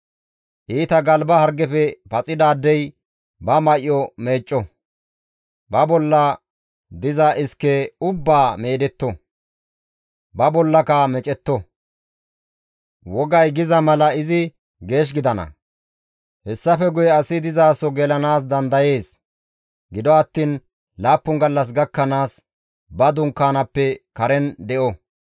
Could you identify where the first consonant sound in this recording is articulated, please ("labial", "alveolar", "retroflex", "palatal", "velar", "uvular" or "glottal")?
glottal